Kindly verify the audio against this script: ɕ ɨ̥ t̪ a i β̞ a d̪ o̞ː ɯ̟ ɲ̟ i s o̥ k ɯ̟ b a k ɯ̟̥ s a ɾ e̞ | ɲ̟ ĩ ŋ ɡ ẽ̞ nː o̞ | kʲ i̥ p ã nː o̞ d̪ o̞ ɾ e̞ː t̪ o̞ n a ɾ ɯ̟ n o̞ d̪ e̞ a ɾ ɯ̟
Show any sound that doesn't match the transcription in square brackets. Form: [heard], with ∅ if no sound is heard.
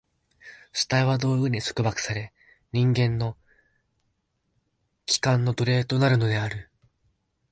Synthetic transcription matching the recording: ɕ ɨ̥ t̪ a i β̞ a d̪ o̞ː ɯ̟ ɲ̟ i s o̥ k ɯ̟ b a k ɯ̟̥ s a ɾ e̞ | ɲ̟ ĩ ŋ ɡ ẽ̞ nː o̞ | kʲ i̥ [k] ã nː o̞ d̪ o̞ ɾ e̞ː t̪ o̞ n a ɾ ɯ̟ n o̞ d̪ e̞ a ɾ ɯ̟

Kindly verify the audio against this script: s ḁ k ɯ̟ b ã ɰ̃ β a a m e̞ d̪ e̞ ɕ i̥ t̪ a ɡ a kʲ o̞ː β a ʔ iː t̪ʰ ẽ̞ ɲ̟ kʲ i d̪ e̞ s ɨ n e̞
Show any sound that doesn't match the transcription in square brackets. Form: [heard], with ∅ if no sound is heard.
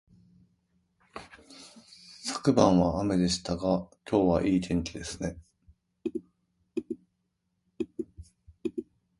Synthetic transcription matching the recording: s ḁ k ɯ̟ b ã ɰ̃ β a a m e̞ d̪ e̞ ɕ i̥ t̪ a ɡ a kʲ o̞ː β a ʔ iː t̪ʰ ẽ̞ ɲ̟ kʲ i d̪ e̞ s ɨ n e̞

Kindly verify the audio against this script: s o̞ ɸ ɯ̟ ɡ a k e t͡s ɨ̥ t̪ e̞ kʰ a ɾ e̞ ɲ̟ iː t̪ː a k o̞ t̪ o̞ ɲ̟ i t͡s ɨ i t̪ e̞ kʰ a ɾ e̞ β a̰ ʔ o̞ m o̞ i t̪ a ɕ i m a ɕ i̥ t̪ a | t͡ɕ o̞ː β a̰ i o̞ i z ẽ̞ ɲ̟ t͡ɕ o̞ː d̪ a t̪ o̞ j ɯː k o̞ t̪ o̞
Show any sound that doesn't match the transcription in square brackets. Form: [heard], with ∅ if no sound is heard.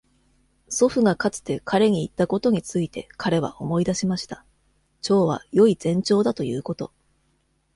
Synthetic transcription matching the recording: s o̞ ɸ ɯ̟ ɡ a k [a] t͡s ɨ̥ t̪ e̞ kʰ a ɾ e̞ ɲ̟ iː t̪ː a k o̞ t̪ o̞ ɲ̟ i t͡s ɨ i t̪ e̞ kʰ a ɾ e̞ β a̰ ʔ o̞ m o̞ i [d̪] a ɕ i m a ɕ i̥ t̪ a | t͡ɕ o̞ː β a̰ [j] o̞ i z ẽ̞ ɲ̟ t͡ɕ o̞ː d̪ a t̪ o̞ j ɯː k o̞ t̪ o̞

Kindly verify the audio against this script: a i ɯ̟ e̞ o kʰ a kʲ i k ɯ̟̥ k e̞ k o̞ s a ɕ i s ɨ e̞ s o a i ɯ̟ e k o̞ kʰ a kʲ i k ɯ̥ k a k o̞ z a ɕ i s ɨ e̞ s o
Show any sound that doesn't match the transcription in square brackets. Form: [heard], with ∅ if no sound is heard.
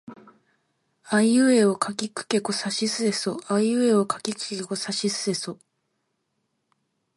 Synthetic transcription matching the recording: a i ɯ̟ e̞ o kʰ a kʲ i k ɯ̟̥ k e̞ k o̞ s a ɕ i s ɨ e̞ s o a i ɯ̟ e [∅] o̞ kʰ a kʲ i k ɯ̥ k [e] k o̞ [s] a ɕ i s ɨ e̞ s o

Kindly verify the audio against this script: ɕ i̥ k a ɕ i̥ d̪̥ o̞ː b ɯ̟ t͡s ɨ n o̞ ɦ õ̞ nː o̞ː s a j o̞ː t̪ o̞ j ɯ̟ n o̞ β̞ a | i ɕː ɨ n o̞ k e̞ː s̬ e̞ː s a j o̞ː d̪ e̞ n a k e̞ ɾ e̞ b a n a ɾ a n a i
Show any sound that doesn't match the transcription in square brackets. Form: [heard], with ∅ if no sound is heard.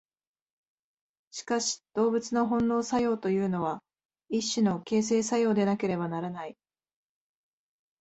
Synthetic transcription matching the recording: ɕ i̥ k a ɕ i̥ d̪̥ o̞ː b ɯ̟ t͡s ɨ n o̞ ɦ õ̞ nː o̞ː s a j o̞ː t̪ o̞ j [ɯ̟ː] n o̞ β̞ a | i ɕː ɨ n o̞ k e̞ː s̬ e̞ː s a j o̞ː d̪ e̞ n a k e̞ ɾ e̞ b a n a ɾ a n a i

